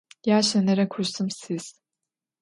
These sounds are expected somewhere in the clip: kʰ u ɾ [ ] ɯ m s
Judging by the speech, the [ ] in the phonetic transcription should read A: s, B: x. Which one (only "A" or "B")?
A